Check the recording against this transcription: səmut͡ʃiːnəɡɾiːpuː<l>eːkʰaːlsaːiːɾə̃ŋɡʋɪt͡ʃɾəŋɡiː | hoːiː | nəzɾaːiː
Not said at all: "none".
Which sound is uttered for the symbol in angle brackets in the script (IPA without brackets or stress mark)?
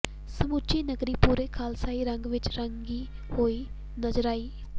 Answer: ɾ